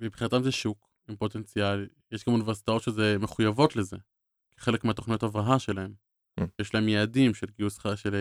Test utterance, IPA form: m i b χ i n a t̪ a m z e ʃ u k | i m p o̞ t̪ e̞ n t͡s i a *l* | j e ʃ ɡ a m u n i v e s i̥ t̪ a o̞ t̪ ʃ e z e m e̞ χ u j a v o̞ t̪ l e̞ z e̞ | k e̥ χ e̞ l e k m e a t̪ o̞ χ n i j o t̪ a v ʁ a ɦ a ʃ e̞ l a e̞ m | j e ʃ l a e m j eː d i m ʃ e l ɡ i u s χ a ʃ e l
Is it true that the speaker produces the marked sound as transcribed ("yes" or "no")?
yes